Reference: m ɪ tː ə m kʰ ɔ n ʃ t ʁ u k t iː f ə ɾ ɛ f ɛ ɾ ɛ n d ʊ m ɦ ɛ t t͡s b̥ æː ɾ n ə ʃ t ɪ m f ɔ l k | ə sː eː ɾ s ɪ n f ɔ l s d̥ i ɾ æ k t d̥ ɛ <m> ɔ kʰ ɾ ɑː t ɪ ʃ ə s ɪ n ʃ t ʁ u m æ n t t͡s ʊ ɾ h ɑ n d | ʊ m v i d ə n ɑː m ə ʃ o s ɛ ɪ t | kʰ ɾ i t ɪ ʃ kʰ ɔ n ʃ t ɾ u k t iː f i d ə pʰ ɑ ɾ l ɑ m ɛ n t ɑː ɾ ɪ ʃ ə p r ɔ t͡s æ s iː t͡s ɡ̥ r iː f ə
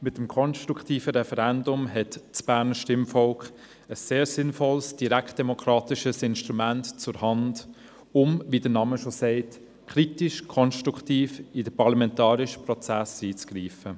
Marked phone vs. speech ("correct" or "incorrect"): correct